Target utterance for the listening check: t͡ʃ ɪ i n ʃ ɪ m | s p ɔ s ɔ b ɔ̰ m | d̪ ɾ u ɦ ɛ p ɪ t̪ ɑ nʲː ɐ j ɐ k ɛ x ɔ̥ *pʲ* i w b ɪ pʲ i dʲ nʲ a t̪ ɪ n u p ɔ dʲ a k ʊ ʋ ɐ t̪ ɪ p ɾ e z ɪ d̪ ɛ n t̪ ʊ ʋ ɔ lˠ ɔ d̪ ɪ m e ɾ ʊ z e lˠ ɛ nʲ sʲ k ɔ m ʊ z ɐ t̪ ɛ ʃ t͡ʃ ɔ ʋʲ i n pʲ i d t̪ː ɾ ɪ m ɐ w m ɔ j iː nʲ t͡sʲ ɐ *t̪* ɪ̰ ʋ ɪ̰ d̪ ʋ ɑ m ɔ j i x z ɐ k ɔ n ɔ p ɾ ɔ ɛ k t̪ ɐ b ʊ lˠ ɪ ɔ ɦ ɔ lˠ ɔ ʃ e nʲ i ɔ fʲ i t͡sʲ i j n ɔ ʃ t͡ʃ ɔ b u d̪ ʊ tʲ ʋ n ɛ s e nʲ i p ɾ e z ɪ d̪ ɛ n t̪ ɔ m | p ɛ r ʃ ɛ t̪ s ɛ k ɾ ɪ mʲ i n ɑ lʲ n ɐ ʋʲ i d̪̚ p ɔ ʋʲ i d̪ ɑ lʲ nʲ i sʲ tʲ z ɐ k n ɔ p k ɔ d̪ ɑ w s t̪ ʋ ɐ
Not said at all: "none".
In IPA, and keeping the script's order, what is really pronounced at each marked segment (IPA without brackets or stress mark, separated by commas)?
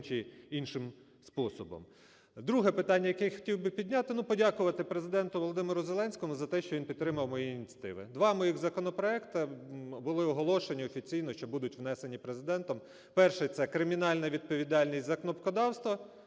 tʲ, t̪